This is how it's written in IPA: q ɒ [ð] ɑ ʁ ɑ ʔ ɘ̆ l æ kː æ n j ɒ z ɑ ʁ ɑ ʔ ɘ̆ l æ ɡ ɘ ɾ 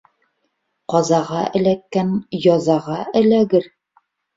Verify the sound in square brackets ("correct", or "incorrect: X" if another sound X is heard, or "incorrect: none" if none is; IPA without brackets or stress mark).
incorrect: z